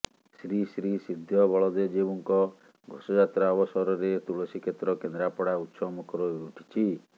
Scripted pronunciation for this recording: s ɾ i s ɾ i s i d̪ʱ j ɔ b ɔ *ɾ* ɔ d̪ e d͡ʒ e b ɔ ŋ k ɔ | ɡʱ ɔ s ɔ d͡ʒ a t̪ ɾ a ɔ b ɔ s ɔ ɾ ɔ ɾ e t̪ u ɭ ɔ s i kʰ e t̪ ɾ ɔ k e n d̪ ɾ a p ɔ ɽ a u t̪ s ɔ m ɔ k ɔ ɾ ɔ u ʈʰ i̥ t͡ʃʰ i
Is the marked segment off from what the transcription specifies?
yes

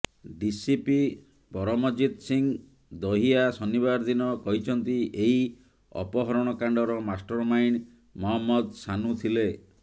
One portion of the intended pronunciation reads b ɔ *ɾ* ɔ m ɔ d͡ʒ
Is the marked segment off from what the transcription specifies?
no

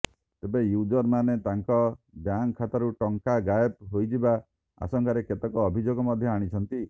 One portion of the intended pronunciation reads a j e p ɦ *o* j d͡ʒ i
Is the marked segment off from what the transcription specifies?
no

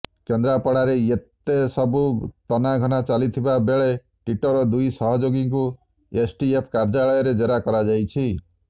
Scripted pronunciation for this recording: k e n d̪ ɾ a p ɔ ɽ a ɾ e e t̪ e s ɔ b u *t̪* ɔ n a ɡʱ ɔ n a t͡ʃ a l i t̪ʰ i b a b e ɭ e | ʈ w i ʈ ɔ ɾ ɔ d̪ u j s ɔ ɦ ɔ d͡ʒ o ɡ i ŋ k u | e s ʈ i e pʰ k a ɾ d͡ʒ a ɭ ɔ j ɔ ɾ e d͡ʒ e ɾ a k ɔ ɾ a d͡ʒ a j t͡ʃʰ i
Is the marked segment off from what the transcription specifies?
no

